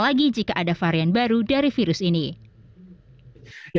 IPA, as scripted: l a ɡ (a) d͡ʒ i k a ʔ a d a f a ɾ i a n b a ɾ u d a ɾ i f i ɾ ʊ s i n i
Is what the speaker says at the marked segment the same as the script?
no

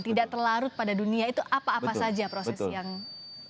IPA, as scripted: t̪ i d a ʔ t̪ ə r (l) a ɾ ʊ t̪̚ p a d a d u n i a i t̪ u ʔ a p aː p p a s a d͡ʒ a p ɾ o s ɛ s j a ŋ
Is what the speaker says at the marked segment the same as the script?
yes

